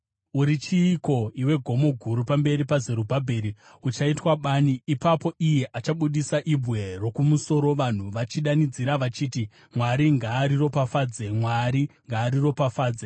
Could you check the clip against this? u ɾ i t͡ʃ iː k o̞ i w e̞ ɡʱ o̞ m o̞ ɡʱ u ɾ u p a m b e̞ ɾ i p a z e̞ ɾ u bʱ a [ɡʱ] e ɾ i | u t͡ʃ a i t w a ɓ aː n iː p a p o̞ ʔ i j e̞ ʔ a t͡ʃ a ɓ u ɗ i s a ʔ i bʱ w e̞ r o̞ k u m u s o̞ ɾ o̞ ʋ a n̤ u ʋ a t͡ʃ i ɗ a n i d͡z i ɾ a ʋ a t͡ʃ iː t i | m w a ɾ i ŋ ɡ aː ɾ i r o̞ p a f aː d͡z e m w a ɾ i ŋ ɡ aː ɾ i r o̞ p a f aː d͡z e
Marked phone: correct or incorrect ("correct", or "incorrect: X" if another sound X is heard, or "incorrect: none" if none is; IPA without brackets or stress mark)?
incorrect: bʱ